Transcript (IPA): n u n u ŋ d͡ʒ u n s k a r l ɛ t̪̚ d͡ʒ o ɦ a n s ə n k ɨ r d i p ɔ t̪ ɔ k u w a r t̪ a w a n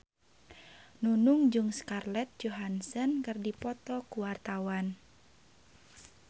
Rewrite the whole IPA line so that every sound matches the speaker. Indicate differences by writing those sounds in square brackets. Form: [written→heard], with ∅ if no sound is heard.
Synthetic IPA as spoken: n u n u ŋ d͡ʒ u [n→ŋ] s k a r l ɛ t̪̚ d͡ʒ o ɦ a n s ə n k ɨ r d i p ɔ t̪ ɔ k u w a r t̪ a w a n

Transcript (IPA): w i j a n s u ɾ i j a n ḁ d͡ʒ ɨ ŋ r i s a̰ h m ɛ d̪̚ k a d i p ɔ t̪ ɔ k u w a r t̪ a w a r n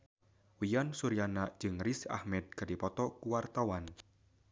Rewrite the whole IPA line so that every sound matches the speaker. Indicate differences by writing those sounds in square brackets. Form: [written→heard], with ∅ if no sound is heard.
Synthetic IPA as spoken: w i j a n s u ɾ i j a n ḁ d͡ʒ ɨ ŋ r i s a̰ h m ɛ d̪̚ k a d i p ɔ t̪ ɔ k u w a r t̪ a w a [r→∅] n

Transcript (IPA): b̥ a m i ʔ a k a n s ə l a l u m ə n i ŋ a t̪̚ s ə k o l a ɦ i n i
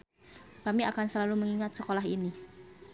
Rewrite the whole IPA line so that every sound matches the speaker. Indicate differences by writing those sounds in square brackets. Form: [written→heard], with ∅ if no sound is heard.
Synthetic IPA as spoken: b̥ a m i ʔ a k a n s ə l a l u m ə [n→ŋ] i ŋ a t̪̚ s ə k o l a ɦ i n i

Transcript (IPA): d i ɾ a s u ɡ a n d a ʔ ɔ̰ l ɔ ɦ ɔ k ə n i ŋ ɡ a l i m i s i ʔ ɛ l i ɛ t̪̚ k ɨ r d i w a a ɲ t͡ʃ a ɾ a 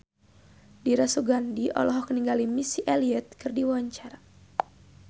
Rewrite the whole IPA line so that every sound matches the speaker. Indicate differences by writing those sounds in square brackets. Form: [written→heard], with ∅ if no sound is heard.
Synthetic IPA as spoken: d i ɾ a s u ɡ a n d [a→i] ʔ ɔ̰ l ɔ ɦ ɔ k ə n i ŋ ɡ a l i m i s i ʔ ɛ l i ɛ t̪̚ k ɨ r d i w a a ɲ t͡ʃ a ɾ a

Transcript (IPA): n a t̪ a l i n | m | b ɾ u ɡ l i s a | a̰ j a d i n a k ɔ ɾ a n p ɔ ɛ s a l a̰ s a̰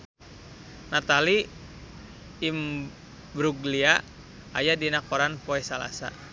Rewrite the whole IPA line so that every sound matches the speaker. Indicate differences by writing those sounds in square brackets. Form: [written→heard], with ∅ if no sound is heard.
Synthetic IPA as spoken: n a t̪ a l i [n→∅] | m | b ɾ u ɡ l i [s→∅] a | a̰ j a d i n a k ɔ ɾ a n p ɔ ɛ s a l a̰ s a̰

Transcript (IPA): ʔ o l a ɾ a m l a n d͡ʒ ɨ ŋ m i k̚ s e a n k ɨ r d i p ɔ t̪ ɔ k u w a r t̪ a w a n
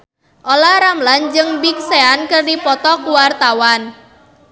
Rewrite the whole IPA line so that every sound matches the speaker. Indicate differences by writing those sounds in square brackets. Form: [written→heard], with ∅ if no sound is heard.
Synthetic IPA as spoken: ʔ o l a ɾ a m l a n d͡ʒ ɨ ŋ [m→b] i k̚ s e a n k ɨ r d i p ɔ t̪ ɔ k u w a r t̪ a w a n

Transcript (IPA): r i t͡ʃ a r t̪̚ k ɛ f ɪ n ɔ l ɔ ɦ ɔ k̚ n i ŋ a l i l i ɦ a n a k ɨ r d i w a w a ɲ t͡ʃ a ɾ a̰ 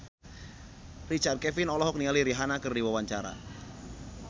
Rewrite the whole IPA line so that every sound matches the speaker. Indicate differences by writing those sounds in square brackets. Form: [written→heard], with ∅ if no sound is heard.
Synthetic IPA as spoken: r i t͡ʃ a r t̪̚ k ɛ f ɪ n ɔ l ɔ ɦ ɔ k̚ n i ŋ a l i [l→ɾ] i ɦ a n a k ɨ r d i w a w a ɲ t͡ʃ a ɾ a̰

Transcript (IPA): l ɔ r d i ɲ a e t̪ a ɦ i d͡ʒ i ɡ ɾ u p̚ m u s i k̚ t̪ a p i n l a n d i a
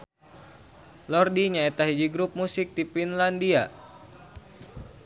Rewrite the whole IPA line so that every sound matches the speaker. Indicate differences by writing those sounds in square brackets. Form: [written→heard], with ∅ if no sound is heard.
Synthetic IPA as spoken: l ɔ r d i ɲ a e t̪ a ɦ i d͡ʒ i ɡ ɾ u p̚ m u s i k̚ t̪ [a→i] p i n l a n d i a

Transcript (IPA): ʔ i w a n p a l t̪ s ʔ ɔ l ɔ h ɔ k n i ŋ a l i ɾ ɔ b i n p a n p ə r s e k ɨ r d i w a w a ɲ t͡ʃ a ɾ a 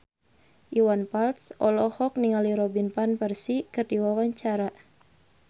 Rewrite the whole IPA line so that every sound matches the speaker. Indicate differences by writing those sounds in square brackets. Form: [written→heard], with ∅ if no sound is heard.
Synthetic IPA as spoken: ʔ i w a n p a l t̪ s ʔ ɔ l ɔ h ɔ k n i ŋ a l i ɾ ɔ b i n p a n p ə r s [e→i] k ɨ r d i w a w a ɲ t͡ʃ a ɾ a

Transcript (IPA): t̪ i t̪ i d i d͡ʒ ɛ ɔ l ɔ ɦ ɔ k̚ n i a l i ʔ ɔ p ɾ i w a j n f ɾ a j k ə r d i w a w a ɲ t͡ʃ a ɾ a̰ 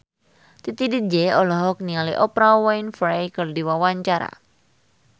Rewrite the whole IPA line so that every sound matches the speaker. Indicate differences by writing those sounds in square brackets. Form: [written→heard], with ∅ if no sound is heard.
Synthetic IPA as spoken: t̪ i t̪ i d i d͡ʒ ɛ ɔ l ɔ ɦ ɔ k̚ n i a l i ʔ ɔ p ɾ [i→a] w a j n f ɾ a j k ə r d i w a w a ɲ t͡ʃ a ɾ a̰

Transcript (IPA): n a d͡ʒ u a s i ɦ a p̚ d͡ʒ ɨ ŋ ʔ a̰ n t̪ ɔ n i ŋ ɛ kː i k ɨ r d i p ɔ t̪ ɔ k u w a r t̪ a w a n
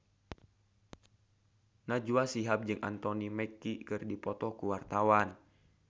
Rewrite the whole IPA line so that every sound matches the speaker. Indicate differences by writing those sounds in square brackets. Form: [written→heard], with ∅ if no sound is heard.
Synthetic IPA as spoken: n a d͡ʒ u a s i ɦ a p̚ d͡ʒ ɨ ŋ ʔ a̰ n t̪ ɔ n i [ŋ→m] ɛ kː i k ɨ r d i p ɔ t̪ ɔ k u w a r t̪ a w a n

